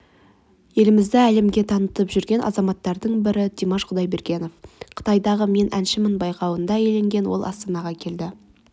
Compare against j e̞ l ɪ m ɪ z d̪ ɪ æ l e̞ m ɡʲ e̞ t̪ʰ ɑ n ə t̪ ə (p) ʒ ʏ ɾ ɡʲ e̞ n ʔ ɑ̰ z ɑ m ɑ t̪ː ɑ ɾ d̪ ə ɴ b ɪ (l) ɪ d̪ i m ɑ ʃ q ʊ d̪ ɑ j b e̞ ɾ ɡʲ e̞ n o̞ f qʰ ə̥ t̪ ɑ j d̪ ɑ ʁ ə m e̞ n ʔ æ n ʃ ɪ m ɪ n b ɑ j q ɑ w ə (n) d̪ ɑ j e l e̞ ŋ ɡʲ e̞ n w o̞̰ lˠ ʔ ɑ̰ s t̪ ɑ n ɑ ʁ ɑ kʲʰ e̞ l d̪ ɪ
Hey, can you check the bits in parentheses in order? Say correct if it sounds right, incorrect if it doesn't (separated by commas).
correct, incorrect, correct